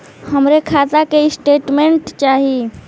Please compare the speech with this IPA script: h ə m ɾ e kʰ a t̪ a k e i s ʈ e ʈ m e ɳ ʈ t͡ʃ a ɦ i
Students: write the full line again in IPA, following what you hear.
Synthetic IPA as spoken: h ə m ɾ e kʰ a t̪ a k e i s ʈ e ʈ m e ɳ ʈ t͡ʃ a ɦ i